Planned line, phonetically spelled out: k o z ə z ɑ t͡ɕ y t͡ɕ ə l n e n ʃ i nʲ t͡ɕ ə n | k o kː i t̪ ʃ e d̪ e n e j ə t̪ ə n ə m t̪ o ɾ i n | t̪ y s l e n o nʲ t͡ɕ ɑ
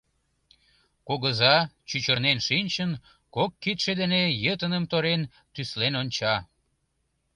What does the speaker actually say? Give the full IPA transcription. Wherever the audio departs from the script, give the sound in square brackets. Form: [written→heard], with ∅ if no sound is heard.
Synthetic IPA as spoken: k o [z→ɣ] ə z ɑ t͡ɕ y t͡ɕ ə [l→r] n e n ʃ i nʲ t͡ɕ ə n | k o kː i t̪ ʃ e d̪ e n e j ə t̪ ə n ə m t̪ o ɾ [i→e] n | t̪ y s l e n o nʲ t͡ɕ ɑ